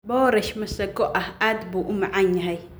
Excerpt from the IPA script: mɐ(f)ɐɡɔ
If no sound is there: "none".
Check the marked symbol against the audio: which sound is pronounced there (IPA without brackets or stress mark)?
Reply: s